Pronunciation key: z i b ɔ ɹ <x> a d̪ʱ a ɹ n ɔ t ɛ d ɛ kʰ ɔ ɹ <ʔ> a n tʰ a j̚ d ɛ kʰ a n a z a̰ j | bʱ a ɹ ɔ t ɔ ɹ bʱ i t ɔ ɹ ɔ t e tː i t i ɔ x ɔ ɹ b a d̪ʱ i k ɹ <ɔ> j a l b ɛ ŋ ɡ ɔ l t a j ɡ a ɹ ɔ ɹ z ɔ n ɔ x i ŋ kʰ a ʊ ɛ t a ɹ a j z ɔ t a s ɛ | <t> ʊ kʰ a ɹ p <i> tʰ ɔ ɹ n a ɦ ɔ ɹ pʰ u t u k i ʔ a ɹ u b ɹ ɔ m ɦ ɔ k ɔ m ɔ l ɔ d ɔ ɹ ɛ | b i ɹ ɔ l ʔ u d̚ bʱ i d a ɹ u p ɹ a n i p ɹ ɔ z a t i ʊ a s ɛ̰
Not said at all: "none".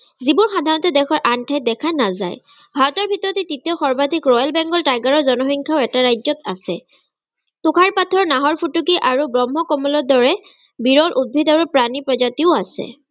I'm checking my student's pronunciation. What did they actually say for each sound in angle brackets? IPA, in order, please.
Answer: x, ʔ, ɔ, t, a

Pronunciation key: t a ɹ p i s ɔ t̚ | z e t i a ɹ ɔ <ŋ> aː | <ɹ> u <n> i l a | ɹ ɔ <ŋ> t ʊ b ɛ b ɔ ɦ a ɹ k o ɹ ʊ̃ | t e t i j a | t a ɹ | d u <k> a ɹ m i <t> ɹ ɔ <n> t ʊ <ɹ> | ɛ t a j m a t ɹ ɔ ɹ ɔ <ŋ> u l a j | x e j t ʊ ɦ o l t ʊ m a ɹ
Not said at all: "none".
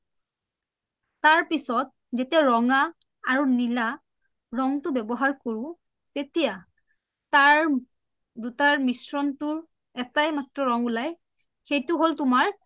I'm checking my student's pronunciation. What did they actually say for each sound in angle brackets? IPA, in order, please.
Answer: ŋ, ɹ, n, ŋ, t, s, n, ɹ, ŋ

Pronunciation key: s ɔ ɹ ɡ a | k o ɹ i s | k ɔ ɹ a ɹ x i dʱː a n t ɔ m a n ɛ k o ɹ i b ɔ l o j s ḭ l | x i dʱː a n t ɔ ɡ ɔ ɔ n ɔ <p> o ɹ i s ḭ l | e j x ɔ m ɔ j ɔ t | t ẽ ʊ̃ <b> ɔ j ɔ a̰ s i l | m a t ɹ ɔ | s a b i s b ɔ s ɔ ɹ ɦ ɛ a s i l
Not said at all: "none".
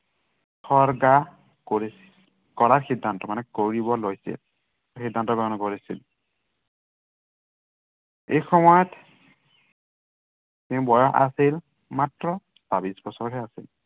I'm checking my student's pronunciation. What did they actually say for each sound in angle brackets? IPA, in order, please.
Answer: k, b

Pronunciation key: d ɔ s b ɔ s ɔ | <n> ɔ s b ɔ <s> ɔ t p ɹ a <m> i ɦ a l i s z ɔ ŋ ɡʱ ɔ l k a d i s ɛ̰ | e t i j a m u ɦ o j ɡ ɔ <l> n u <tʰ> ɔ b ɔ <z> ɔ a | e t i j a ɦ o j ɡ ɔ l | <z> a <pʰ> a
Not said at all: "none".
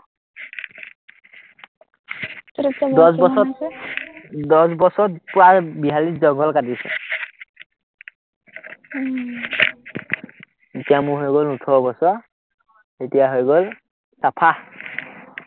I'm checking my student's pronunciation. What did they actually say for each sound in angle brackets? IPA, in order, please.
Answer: d, s, b, l, tʰ, s, s, pʰ

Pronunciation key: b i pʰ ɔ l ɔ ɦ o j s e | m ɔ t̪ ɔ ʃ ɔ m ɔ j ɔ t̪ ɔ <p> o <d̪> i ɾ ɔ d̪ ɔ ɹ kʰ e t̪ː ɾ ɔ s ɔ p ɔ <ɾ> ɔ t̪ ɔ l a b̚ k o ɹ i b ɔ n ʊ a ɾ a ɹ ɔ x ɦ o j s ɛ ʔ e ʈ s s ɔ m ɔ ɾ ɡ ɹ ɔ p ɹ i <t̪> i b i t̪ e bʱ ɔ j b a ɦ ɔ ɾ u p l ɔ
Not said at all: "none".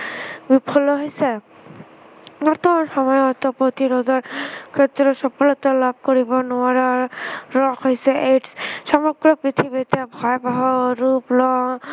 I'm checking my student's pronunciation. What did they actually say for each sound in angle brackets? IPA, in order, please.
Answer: p, t̪, l, t̪ʰ

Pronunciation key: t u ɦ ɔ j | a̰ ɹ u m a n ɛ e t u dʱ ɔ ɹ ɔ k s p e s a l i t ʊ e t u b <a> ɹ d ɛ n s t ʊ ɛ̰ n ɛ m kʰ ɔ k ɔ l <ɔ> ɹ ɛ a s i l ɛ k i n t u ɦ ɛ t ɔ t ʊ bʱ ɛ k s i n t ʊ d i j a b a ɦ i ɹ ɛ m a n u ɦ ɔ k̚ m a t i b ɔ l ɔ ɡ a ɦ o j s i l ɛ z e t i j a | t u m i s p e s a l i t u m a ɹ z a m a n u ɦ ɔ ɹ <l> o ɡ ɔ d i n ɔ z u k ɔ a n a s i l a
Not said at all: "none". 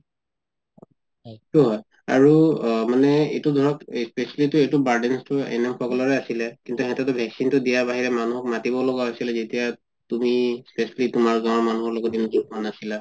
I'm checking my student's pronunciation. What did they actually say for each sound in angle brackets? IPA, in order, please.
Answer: a, ɔ, l

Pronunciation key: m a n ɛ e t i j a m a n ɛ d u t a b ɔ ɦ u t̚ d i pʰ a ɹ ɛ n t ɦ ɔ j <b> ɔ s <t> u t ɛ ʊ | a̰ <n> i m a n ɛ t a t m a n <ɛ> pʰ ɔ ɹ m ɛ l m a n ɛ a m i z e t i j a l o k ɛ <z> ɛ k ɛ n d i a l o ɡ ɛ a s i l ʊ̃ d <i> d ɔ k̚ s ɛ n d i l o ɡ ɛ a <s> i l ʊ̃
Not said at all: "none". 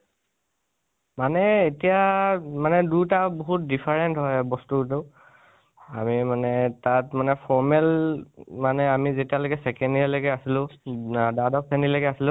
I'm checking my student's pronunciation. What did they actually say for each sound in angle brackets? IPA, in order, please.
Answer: b, t, m, ɛ, s, a, s

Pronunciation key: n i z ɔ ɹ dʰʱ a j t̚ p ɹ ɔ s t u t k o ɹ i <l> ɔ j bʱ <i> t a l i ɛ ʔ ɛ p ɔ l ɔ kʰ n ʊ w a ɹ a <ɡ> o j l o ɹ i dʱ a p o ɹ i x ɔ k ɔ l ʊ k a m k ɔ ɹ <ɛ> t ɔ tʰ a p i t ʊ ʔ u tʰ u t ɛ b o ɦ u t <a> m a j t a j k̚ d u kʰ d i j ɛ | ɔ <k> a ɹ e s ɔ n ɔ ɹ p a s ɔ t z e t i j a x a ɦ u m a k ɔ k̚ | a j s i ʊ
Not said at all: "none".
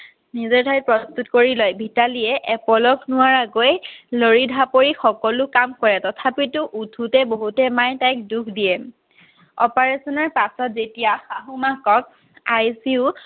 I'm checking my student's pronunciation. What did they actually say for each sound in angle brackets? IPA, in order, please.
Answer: l, i, ɡ, ɛ, ɛ, p

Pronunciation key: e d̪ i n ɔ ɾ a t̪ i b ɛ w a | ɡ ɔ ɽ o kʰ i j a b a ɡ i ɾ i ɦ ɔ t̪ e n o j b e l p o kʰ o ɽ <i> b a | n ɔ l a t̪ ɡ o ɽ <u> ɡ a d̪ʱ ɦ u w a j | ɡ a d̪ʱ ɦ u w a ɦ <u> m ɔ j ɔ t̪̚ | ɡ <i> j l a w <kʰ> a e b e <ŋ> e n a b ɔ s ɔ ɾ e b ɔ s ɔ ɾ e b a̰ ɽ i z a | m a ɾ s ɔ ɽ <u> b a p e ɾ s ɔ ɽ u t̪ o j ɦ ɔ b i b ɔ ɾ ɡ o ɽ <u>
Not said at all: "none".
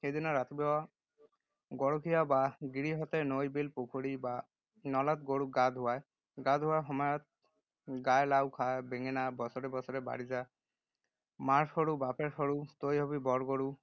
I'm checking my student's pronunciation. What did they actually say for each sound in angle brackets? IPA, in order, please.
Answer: i, u, ɔ, a, kʰ, ŋ, u, u

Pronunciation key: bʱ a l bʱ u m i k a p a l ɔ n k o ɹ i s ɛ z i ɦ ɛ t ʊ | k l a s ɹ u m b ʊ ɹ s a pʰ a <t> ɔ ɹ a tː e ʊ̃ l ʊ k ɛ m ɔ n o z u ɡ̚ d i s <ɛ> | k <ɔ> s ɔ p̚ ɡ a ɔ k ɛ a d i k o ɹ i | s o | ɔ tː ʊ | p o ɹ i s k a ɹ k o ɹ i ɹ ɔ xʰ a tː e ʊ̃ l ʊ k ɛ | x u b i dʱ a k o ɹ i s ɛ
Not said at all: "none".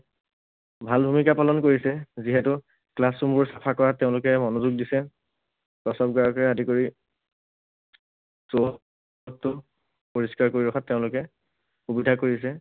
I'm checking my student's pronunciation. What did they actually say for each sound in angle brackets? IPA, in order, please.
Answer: k, ɛ, ɔ

